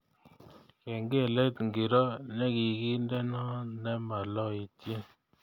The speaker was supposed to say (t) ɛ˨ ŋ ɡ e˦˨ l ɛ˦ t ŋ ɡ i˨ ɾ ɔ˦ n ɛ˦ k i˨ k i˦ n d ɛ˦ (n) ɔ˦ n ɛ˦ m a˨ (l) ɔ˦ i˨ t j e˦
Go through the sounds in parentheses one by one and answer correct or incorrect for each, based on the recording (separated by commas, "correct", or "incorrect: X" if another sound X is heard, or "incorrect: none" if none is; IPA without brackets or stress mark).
incorrect: k, correct, correct